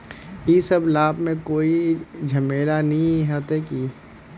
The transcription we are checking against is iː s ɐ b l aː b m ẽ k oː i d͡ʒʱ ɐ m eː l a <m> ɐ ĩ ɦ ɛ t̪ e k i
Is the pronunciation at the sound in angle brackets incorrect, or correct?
incorrect